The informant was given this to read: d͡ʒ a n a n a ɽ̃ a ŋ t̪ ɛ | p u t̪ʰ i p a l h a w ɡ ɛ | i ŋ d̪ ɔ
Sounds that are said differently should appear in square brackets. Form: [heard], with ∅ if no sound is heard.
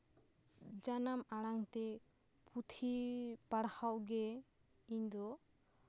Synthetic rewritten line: d͡ʒ a n a [m] a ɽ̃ a ŋ t̪ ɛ | p u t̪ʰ i p a [ɽ] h a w ɡ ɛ | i [ɲ] d̪ ɔ